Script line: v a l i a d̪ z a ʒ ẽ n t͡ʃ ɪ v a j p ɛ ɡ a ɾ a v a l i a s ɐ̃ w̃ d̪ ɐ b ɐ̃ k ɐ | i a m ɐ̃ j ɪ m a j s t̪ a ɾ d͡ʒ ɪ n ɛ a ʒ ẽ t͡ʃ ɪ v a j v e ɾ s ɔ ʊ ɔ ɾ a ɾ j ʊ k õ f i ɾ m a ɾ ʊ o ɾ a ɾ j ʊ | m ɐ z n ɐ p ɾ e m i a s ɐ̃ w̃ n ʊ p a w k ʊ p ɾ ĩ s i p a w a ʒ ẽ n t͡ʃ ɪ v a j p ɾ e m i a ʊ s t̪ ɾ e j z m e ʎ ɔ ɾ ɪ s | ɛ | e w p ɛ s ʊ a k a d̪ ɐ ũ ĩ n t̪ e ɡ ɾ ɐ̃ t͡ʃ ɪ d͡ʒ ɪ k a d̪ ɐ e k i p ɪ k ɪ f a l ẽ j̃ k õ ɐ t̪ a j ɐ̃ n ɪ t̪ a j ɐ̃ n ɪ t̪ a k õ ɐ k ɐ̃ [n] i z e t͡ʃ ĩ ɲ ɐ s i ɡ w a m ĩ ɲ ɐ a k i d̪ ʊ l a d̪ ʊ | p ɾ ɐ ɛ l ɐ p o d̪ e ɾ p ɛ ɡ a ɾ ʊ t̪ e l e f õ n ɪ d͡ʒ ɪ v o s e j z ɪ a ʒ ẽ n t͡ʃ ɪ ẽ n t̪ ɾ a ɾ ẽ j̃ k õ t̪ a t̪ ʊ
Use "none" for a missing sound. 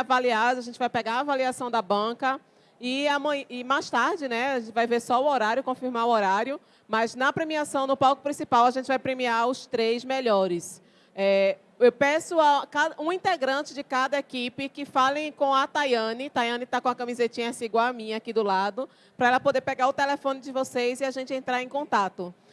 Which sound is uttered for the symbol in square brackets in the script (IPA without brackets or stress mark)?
m